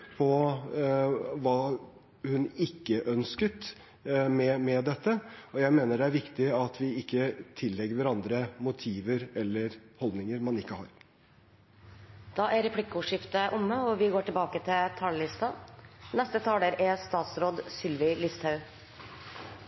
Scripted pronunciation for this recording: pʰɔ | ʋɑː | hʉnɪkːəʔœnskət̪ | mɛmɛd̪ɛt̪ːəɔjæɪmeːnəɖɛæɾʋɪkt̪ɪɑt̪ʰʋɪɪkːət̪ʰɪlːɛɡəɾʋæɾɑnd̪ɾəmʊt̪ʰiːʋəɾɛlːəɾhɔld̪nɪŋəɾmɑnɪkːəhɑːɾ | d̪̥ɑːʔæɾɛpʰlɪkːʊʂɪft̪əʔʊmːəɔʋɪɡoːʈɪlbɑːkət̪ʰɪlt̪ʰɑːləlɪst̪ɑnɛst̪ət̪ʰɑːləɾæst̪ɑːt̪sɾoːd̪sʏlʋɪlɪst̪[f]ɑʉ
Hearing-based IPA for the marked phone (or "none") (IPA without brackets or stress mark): h